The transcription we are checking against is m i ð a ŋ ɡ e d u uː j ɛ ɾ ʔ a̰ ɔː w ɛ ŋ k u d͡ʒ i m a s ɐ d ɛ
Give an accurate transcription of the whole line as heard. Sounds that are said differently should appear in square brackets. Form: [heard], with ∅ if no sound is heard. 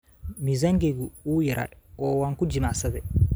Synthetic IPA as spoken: m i [z] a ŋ ɡ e [ɡ] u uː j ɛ ɾ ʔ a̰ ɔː w [a] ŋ k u d͡ʒ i m a s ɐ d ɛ